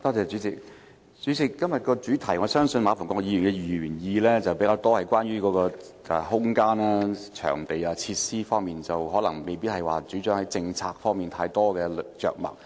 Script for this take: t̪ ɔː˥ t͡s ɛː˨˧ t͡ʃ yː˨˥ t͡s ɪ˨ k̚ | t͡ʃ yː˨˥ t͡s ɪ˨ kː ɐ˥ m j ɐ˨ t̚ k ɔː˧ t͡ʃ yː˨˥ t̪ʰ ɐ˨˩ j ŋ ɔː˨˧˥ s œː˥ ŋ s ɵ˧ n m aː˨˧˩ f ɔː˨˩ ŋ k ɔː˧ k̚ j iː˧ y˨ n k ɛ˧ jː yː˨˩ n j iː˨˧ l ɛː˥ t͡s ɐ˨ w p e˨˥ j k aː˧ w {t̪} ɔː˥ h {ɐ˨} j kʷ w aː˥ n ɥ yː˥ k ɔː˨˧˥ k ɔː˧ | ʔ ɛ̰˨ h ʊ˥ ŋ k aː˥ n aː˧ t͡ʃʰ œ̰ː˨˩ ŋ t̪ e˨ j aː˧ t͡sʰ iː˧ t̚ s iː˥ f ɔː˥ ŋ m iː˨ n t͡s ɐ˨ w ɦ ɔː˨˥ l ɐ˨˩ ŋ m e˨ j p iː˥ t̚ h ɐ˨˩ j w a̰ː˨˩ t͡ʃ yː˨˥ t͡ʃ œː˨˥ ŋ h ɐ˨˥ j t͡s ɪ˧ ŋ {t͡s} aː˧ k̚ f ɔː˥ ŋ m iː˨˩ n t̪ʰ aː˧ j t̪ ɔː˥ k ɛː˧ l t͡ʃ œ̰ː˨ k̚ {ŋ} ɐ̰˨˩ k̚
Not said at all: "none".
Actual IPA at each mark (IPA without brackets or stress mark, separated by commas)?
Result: t̪, ɐ˨, t͡sʰ, m